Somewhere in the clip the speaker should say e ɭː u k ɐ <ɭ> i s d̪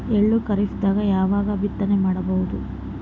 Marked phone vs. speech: incorrect: ɾ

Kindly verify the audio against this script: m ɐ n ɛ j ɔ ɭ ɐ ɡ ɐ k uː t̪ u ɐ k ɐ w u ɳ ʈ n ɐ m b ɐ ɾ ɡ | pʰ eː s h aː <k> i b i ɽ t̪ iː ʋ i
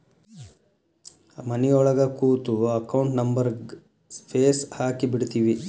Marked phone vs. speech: correct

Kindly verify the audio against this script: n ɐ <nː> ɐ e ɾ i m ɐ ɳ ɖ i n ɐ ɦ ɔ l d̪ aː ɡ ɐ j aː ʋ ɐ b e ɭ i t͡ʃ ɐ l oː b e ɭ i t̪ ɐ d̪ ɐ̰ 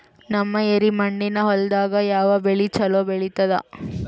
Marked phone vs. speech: incorrect: mː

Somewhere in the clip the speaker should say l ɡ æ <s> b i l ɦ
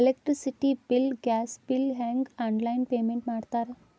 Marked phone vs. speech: correct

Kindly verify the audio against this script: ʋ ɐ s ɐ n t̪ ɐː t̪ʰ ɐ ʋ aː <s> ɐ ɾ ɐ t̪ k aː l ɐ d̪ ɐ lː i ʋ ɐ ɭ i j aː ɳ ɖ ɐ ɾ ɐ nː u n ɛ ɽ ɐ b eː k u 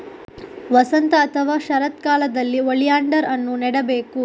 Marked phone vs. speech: incorrect: ʃ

